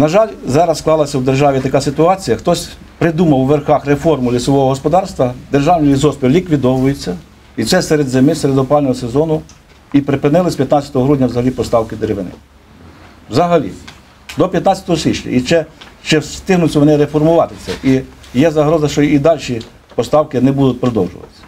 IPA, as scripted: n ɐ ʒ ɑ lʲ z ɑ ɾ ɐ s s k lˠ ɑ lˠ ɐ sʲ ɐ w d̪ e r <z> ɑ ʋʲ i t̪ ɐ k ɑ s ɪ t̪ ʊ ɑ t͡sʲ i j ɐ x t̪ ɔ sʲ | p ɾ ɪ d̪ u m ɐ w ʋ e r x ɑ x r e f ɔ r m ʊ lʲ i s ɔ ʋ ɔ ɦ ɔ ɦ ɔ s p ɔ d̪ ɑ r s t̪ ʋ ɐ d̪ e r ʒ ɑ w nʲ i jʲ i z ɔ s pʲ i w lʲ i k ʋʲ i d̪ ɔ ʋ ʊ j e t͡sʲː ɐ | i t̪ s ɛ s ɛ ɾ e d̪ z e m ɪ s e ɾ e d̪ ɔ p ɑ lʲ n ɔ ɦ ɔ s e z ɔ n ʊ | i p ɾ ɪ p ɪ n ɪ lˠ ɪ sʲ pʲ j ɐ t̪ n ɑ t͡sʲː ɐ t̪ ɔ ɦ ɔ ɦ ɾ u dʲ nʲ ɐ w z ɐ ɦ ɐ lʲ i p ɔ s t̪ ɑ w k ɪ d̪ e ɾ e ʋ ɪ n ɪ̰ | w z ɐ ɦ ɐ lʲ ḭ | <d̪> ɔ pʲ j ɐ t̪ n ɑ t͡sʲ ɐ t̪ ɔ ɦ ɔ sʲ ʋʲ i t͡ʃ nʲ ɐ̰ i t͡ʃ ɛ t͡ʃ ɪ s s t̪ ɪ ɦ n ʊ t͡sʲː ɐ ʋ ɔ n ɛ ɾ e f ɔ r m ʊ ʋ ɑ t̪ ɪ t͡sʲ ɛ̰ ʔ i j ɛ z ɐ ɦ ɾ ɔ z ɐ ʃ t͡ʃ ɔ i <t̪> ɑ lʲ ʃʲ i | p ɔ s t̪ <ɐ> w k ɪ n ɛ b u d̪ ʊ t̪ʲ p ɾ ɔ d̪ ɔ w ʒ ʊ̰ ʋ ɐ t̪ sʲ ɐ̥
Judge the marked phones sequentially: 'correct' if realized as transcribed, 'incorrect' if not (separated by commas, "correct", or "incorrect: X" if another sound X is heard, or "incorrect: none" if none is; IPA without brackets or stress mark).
incorrect: ʒ, correct, incorrect: d̪, incorrect: ɑ